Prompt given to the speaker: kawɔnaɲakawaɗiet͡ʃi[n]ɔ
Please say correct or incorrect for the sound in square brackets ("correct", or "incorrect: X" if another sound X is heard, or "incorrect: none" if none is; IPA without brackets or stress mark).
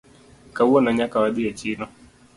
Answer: correct